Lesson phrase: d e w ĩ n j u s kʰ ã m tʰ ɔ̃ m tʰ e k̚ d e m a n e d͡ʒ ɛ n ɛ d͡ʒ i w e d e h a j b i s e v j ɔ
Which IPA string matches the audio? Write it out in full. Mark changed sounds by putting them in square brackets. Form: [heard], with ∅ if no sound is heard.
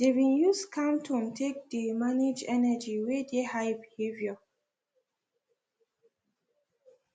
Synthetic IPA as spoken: d e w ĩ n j u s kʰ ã m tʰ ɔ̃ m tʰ e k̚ d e m a n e d͡ʒ ɛ n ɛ d͡ʒ i w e d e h a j b i [h] e v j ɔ